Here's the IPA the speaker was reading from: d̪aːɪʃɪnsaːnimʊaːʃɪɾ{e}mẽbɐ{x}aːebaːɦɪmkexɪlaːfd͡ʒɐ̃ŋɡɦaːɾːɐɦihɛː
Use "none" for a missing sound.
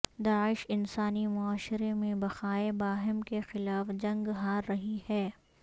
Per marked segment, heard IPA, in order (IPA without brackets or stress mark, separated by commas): e, x